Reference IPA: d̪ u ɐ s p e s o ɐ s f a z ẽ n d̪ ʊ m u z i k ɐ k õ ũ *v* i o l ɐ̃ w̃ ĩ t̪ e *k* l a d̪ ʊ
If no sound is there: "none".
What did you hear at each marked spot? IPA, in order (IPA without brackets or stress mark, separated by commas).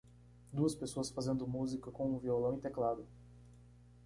v, k